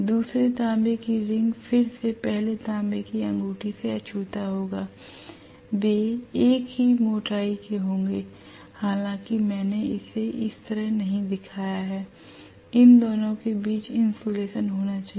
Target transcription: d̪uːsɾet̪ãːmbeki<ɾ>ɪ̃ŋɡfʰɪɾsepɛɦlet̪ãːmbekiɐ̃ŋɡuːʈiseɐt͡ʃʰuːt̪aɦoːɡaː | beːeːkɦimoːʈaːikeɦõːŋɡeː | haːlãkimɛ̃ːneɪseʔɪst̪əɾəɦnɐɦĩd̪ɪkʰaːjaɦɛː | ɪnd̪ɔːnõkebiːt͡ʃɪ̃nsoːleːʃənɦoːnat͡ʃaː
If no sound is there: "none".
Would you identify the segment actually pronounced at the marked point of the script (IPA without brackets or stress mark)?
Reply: ɾ